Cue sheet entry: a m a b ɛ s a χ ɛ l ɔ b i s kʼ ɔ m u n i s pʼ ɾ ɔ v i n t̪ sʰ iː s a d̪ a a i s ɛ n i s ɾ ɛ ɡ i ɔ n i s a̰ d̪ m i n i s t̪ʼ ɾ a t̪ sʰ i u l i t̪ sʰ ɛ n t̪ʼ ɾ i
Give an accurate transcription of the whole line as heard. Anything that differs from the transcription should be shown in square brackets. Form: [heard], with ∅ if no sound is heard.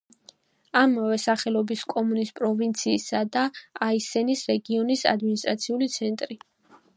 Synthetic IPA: a m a [v] ɛ s a χ ɛ l ɔ b i s kʼ ɔ m u n i s pʼ ɾ ɔ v i n t̪ sʰ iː s a d̪ a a i s ɛ n i s ɾ ɛ ɡ i ɔ n i s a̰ d̪ m i n i s t̪ʼ ɾ a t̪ sʰ i u l i t̪ sʰ ɛ n t̪ʼ ɾ i